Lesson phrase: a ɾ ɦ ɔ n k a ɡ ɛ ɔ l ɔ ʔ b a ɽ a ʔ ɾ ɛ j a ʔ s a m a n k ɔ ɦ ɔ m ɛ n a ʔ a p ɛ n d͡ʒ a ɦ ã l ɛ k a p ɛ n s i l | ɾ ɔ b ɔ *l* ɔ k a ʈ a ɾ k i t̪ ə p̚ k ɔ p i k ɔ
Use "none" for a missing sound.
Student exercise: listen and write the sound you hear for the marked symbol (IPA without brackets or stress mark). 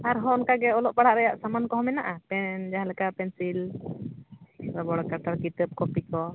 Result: ɽ